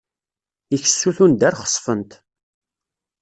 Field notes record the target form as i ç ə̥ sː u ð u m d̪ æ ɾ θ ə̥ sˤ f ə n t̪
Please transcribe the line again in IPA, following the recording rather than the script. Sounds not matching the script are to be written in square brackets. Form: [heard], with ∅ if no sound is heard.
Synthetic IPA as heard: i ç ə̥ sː u [θ] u [n] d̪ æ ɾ [χ] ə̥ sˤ f ə n t̪

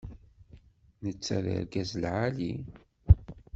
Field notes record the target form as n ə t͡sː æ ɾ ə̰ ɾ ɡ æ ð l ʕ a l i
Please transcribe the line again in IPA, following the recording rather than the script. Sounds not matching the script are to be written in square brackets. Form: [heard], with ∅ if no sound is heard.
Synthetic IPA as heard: n ə t͡sː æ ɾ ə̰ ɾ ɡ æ [z] l ʕ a l i

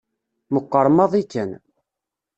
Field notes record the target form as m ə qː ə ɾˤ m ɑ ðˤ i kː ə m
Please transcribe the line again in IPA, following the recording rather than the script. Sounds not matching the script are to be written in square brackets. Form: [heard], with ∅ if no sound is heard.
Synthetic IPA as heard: m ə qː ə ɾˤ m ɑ ðˤ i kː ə [n]

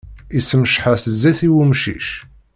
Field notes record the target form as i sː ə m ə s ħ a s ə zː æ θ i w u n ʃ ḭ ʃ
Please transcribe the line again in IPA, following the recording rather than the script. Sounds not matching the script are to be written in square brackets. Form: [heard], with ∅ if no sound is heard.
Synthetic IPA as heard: i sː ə m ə [ʃ] ħ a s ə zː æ θ i w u [m] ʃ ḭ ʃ

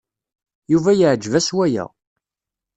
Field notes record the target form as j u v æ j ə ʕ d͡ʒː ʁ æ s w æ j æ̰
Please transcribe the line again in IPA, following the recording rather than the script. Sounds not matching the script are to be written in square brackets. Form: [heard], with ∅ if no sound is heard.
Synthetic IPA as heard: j u v æ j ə ʕ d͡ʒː [v] æ s w æ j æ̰

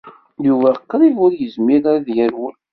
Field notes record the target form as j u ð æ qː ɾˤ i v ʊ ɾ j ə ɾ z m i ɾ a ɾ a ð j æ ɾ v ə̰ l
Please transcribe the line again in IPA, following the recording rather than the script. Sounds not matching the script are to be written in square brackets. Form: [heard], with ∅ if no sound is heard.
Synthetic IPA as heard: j u [v] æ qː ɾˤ i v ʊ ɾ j ə [∅] z m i ɾ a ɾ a ð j æ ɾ [w] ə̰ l

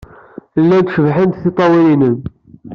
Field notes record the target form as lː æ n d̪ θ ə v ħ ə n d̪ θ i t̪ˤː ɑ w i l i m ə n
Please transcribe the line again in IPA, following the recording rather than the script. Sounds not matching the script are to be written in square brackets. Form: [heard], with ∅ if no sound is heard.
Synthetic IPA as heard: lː æ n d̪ [ʃ] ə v ħ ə n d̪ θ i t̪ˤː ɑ w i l i [n] ə n

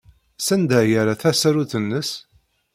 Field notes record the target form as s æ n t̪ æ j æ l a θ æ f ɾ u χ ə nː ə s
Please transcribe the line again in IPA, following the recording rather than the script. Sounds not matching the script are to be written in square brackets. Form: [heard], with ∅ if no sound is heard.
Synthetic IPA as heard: s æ n [d̪] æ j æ [ɾ] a θ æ [s] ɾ u [θ] ə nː ə s

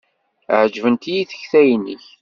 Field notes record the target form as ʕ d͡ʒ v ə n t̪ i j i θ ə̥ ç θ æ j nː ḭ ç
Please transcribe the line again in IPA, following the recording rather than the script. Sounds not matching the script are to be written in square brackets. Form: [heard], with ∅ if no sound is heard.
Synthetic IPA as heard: ʕ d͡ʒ v ə n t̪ i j i θ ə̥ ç θ æ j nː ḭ ç

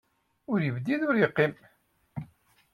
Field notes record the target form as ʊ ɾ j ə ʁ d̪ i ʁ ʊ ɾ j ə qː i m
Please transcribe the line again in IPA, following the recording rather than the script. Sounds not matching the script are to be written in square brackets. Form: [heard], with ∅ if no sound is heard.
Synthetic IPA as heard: ʊ ɾ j ə [v] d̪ i [ð] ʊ ɾ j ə qː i m

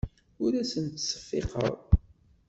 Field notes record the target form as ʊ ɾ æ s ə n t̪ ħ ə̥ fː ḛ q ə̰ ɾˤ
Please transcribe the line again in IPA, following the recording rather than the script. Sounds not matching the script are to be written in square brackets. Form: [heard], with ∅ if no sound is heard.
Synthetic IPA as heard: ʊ ɾ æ s ə n t̪ [s] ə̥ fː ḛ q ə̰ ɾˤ

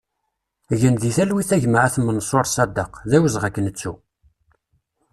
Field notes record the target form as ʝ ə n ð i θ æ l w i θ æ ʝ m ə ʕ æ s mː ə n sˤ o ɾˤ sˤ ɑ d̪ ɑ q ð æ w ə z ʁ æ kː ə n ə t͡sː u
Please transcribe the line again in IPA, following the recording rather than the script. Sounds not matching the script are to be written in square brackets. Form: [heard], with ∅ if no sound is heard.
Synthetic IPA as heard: ʝ ə n ð i θ æ l w i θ æ ʝ m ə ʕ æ [θ] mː ə n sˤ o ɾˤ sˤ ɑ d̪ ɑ q ð æ w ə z ʁ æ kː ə n ə t͡sː u

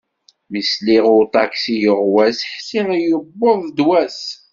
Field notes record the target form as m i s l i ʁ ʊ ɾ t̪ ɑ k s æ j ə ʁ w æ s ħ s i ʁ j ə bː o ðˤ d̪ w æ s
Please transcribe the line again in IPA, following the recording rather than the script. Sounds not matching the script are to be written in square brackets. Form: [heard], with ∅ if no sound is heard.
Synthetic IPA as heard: m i s l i ʁ ʊ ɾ t̪ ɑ k s [i] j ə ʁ w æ s ħ s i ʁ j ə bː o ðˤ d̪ w æ s

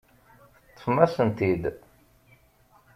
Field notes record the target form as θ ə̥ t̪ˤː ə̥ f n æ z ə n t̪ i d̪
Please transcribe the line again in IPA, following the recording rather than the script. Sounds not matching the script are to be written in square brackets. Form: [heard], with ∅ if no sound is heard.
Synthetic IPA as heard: θ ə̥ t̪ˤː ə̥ f [m] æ [s] ə n t̪ i d̪

